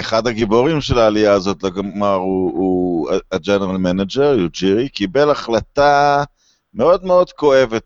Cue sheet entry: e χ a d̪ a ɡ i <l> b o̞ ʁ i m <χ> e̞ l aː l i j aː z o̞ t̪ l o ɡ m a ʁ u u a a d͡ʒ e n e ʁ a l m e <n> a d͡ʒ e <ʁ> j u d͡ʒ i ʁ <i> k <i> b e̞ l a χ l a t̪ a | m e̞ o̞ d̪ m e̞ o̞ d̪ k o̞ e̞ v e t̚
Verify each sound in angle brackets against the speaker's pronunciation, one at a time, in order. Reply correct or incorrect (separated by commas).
incorrect, incorrect, correct, correct, correct, correct